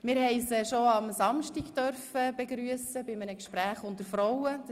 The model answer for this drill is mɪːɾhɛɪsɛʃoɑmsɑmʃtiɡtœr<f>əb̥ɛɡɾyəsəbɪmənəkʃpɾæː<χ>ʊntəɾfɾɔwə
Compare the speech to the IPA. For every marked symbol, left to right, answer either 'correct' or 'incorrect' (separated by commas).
correct, correct